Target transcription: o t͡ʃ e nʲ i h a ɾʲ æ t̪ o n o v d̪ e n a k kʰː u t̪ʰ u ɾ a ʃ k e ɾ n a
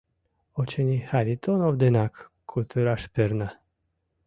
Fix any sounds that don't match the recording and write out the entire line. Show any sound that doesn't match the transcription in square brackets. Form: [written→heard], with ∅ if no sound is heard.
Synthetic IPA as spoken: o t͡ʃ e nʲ i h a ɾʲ [æ→i] t̪ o n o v d̪ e n a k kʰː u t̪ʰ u ɾ a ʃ [k→p] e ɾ n a